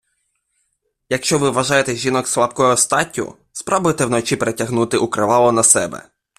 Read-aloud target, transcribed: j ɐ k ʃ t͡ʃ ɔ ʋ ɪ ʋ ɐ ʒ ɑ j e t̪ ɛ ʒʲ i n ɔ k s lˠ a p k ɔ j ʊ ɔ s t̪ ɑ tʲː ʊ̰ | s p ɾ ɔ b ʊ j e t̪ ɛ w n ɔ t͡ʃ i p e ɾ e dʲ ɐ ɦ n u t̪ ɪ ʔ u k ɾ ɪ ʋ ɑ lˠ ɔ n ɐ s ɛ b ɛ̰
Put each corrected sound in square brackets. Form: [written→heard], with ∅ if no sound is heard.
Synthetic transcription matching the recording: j ɐ k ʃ t͡ʃ ɔ ʋ ɪ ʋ ɐ ʒ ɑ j e t̪ ɛ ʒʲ i n ɔ k s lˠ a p k ɔ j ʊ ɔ s t̪ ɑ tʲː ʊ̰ | s p ɾ ɔ b ʊ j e t̪ ɛ w n ɔ t͡ʃ i p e ɾ e [dʲ→tʲ] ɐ ɦ n u t̪ ɪ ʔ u k ɾ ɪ ʋ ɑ lˠ ɔ n ɐ s ɛ b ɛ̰